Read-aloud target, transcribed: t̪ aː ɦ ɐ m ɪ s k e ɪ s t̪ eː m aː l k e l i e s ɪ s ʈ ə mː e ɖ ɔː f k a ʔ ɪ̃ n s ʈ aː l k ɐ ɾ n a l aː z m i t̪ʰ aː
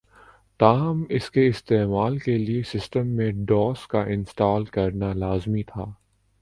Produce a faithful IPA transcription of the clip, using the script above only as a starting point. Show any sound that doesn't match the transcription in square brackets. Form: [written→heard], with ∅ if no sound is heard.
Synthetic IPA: t̪ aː ɦ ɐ m ɪ s k e ɪ s t̪ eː m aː l k e l i e s ɪ s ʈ ə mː [e→ẽ] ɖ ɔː [f→s] k a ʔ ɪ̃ n s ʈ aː l k ɐ ɾ n a l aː z m i t̪ʰ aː